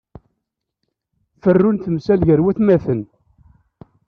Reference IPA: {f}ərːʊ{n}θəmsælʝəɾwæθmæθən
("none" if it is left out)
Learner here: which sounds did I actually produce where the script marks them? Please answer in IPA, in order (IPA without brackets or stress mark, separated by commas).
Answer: f, n